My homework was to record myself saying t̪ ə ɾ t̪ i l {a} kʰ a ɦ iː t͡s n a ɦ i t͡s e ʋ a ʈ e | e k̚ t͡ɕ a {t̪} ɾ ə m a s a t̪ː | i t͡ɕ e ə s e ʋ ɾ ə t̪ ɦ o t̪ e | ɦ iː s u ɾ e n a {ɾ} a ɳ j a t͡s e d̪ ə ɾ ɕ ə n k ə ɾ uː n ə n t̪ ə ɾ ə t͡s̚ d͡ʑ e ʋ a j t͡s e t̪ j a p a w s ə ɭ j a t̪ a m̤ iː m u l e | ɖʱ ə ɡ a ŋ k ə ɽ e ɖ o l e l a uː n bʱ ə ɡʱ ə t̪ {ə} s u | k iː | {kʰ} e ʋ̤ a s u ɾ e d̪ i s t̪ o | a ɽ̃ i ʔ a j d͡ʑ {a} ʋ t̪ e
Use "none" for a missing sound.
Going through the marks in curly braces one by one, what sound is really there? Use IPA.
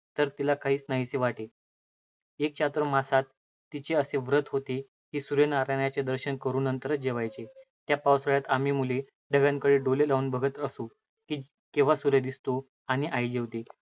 a, t̪, ɾ, ə, k, e

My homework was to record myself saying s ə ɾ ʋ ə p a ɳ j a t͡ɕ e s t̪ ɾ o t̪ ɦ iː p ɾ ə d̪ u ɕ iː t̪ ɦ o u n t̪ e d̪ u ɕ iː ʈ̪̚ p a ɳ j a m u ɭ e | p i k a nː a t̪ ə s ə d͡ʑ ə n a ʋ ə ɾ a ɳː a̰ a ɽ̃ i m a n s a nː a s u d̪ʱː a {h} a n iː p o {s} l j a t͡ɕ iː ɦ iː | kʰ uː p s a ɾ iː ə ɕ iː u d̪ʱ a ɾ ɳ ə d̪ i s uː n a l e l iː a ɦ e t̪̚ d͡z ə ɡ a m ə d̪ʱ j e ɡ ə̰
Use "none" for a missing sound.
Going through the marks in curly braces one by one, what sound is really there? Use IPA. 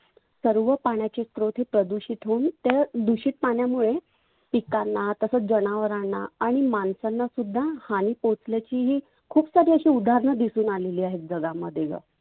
h, t͡s

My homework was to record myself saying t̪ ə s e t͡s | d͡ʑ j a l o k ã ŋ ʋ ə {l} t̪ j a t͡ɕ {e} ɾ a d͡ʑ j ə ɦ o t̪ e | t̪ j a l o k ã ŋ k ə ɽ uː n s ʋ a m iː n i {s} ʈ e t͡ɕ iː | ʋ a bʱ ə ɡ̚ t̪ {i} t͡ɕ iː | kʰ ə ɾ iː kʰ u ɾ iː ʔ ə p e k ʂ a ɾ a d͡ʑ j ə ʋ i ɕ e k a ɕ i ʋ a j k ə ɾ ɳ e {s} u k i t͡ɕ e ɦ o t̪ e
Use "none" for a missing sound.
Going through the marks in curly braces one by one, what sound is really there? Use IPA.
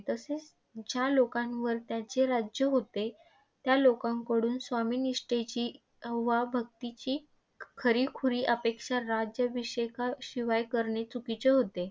ɾ, e, ʂ, i, t͡s

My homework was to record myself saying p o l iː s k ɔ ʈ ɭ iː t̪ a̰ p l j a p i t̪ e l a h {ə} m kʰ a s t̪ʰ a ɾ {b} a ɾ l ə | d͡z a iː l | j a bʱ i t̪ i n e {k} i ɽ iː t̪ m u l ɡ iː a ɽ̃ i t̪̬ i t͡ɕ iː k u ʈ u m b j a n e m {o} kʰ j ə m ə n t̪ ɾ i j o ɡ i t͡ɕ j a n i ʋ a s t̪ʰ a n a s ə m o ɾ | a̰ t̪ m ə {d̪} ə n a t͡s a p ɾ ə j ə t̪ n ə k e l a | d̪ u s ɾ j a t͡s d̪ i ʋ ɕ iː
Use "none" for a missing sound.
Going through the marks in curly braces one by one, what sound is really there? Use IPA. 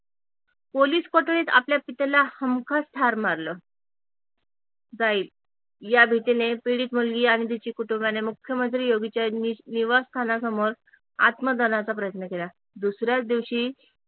ə, m, p, u, d̪

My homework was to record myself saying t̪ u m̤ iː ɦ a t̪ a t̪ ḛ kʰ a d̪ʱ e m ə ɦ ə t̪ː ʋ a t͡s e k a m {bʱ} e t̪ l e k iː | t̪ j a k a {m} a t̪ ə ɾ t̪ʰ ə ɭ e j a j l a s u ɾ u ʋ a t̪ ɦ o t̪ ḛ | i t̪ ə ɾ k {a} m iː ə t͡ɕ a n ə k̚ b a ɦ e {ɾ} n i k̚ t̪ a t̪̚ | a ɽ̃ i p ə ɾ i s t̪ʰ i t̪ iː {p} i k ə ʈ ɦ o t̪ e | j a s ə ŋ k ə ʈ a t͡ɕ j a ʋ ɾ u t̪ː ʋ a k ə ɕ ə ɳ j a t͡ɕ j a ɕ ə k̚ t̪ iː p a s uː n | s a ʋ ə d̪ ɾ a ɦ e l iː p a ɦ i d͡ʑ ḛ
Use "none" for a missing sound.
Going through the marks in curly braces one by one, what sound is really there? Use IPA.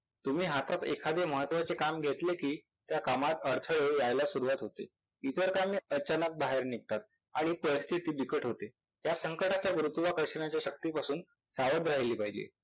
ɡʱ, m, a, ɾ, b

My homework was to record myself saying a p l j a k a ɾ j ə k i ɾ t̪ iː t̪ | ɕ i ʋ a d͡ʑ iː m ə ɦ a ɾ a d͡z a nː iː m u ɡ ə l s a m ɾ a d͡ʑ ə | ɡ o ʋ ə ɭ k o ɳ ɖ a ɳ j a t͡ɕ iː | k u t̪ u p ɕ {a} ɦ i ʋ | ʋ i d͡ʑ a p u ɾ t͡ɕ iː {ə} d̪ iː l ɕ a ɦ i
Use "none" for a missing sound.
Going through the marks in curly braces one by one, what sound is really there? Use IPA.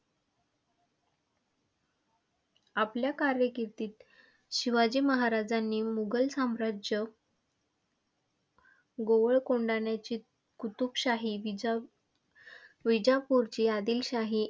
a, a

